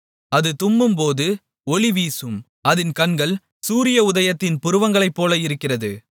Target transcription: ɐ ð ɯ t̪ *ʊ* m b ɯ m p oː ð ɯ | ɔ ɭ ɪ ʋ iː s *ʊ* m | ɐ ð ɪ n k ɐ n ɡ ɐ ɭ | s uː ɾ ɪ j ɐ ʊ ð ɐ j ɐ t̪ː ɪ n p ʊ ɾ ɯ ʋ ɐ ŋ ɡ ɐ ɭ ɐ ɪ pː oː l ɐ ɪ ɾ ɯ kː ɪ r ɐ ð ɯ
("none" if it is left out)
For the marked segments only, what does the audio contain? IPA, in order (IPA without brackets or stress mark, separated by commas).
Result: ʊ, ɯ